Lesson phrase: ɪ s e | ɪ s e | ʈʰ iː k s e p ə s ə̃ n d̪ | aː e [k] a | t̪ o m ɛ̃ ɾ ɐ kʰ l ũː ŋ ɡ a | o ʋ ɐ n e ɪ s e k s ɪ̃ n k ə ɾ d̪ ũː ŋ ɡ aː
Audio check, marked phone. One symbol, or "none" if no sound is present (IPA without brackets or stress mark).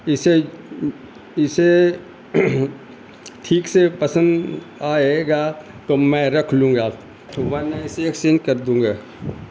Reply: ɡ